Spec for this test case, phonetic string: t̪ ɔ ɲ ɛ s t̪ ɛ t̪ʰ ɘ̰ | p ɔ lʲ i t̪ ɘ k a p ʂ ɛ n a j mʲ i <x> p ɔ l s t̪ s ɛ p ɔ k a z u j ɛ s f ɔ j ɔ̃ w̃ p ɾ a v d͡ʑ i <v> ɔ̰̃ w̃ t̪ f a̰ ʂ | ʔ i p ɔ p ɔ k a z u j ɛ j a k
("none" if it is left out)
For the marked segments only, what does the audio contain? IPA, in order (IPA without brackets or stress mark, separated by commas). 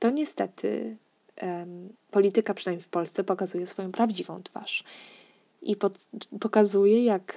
f, v